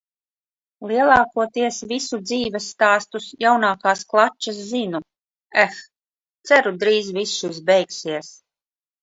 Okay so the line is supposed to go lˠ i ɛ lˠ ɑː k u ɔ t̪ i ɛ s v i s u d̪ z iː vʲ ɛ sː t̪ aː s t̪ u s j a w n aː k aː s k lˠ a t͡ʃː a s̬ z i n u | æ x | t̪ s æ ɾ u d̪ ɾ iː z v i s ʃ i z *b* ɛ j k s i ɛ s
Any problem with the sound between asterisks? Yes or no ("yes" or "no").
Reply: no